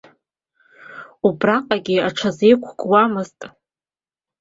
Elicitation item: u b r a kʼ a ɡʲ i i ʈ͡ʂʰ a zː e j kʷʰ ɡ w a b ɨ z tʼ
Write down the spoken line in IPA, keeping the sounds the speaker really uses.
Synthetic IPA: u b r a qʼ a ɡʲ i a ʈ͡ʂʰ a z e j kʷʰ ɡ w a m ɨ z tʼ